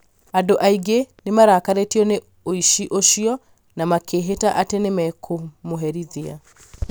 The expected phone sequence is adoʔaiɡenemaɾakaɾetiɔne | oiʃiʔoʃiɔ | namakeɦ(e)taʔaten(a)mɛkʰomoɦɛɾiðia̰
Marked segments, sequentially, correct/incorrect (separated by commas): correct, incorrect